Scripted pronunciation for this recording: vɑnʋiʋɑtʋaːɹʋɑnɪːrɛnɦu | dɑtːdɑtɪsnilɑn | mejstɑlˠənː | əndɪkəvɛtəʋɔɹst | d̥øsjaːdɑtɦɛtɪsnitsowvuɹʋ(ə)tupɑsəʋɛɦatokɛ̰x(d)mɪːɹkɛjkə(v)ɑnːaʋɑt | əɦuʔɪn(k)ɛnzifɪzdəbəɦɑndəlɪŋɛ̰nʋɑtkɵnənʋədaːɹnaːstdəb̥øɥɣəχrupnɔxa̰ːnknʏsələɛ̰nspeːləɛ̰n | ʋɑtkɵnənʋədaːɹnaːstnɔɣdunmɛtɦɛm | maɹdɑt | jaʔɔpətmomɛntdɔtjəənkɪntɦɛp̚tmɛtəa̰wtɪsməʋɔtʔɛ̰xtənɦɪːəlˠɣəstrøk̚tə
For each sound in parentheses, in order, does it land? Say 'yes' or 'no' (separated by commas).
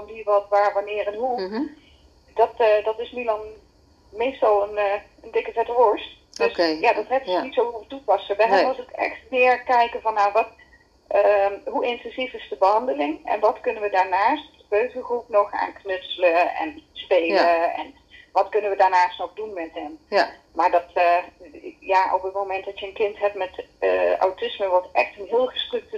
yes, no, yes, no